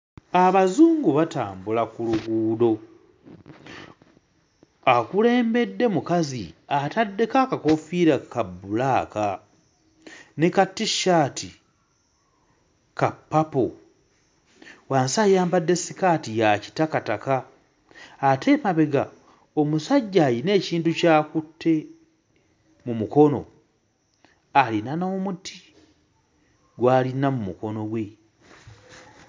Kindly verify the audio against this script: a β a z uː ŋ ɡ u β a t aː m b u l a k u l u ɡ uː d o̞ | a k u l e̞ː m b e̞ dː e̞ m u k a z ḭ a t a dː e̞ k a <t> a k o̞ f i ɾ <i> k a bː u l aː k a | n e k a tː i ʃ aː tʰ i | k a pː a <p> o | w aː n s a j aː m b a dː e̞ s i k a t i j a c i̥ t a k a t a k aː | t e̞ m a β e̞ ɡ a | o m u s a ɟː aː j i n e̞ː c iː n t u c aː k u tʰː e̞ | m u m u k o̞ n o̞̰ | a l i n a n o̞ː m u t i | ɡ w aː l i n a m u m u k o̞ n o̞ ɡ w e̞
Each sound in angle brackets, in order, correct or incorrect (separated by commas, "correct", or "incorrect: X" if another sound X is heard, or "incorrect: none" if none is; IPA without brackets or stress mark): incorrect: k, incorrect: a, correct